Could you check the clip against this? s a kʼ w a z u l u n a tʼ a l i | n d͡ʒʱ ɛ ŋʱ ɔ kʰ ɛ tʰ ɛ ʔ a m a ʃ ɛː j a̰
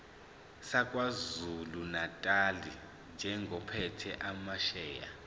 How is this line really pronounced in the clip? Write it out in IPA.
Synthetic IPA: s a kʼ w a z u l u n a tʼ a l i | n d͡ʒʱ ɛ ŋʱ ɔ pʰ ɛ tʰ ɛ ʔ a m a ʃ ɛː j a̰